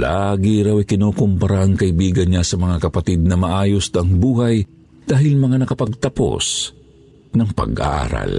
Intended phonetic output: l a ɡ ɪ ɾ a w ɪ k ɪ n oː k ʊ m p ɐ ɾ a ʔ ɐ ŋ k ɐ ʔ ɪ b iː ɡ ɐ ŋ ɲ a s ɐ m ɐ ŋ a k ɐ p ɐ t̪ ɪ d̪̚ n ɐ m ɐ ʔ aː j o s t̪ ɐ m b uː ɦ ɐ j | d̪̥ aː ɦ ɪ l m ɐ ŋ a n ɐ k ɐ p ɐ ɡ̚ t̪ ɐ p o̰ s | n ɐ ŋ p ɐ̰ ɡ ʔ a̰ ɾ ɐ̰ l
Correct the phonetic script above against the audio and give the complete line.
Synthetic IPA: l a ɡ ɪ ɾ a w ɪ k ɪ n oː k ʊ m p ɐ ɾ a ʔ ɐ ŋ k ɐ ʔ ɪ b iː ɡ ɐ n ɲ a s ɐ m ɐ ŋ a k ɐ p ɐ t̪ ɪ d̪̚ n ɐ m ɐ ʔ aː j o s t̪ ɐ ŋ b uː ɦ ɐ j | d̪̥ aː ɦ ɪ l m ɐ ŋ a n ɐ k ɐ p ɐ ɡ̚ t̪ ɐ p o̰ s | n ɐ ŋ p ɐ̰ ɡ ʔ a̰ ɾ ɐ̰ l